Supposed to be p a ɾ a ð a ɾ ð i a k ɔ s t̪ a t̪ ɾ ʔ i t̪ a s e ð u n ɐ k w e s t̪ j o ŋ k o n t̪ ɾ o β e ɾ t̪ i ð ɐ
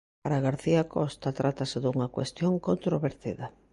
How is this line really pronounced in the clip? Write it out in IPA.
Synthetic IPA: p a ɾ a ɣ a ɾ θ i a k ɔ s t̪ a t̪ ɾ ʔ a t̪ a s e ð u ŋ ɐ k w e s t̪ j o ŋ k o n t̪ ɾ o β e ɾ t̪ i ð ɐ

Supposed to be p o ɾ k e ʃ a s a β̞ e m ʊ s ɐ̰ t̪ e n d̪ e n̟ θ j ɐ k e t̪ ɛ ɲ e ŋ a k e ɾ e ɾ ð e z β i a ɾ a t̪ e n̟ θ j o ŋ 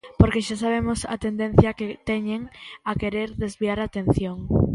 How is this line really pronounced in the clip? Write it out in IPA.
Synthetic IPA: p o ɾ k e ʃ a s a β̞ e m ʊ s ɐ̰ t̪ e n d̪ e n̟ θ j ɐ k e t̪ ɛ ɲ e ŋ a k e ɾ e ɾ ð e z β i a ɾ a t̪ e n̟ θ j o ŋ

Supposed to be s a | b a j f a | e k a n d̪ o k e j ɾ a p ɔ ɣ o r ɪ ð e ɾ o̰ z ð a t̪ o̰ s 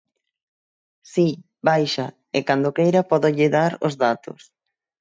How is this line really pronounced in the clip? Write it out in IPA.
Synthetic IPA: s i | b a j ʃ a | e k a n d̪ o k e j ɾ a p ɔ ð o ʎ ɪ ð a ɾ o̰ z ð a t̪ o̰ s

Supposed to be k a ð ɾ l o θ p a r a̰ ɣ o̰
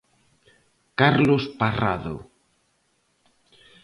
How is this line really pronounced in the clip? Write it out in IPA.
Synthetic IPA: k a ɾ l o s p a r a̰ ð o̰

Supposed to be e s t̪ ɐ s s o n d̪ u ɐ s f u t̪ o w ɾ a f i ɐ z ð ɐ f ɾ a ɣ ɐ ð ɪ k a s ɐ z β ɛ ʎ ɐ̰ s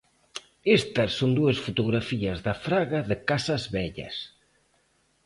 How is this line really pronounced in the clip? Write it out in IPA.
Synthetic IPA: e s t̪ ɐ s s o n d̪ u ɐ s f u t̪ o ɣ ɾ a f i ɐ z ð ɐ f ɾ a ɣ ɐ ð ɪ k a s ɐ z β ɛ ʎ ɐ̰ s

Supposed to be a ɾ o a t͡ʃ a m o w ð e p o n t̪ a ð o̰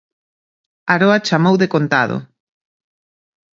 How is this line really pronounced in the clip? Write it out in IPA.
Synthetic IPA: a ɾ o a t͡ʃ a m o w ð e k o n t̪ a ð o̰

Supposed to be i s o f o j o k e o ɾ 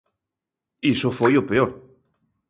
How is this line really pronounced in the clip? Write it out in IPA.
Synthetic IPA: i s o f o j o p e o ɾ

